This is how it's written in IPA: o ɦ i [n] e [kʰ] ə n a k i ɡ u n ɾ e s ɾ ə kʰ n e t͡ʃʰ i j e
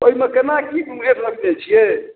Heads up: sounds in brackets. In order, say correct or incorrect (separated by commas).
incorrect, incorrect